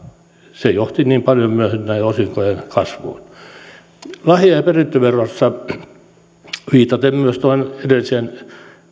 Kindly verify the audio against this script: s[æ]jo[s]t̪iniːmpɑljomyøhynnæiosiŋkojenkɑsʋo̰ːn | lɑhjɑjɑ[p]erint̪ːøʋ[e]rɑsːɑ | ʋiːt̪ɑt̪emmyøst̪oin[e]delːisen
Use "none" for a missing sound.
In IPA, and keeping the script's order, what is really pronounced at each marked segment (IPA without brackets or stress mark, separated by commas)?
e, h, p, e, e